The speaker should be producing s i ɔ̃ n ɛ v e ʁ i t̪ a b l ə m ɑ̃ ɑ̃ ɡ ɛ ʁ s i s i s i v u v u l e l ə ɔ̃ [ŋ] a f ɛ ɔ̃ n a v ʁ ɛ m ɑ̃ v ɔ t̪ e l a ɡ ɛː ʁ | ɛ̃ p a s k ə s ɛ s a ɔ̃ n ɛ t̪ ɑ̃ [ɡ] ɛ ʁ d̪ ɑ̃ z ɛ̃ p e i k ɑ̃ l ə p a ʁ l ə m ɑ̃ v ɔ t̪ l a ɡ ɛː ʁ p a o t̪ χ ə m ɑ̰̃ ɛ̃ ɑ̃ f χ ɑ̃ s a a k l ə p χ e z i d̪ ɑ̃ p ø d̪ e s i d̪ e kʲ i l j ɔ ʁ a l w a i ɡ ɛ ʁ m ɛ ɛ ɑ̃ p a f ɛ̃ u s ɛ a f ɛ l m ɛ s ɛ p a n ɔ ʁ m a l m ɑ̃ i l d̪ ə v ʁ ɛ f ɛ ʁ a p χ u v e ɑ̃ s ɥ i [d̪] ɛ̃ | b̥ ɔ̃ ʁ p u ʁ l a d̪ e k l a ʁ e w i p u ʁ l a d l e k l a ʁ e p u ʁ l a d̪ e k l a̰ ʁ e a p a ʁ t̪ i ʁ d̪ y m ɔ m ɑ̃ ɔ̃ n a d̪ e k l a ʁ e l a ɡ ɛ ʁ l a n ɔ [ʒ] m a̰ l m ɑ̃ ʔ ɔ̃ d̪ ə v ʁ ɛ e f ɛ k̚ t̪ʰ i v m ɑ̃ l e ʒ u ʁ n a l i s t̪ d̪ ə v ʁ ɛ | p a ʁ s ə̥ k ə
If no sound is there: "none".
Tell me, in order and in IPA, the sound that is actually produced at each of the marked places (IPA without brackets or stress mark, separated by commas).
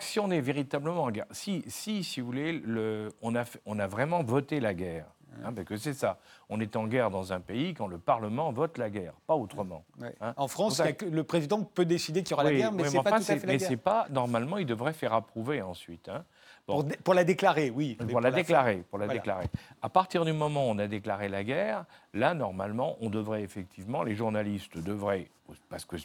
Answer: n, ɡ, t̪, ʁ